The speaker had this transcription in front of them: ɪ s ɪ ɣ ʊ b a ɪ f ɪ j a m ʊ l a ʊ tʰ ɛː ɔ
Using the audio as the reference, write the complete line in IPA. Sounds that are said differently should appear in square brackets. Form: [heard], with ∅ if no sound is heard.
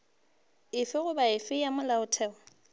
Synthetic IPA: ɪ [f] ɪ ɣ ʊ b a ɪ f ɪ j a m ʊ l a ʊ tʰ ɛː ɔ